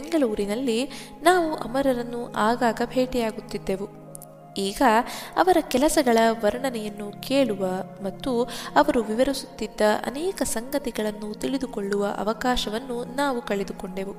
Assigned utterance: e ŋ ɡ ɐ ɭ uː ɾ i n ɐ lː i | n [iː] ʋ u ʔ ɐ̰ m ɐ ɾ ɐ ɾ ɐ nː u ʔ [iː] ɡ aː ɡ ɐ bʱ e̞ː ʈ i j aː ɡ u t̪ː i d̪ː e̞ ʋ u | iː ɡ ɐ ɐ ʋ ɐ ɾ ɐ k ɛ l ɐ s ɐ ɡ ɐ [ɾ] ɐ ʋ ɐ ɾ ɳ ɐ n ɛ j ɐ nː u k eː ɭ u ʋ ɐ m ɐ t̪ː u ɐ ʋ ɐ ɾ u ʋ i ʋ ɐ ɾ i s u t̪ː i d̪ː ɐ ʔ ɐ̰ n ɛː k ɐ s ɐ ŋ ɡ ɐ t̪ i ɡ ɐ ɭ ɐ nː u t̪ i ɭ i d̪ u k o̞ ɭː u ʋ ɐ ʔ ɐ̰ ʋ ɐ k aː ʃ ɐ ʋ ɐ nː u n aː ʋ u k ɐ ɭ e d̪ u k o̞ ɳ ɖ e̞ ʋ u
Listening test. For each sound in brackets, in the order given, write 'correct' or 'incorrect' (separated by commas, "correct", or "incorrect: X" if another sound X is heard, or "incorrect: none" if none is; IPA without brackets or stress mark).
incorrect: aː, incorrect: aː, incorrect: ɭ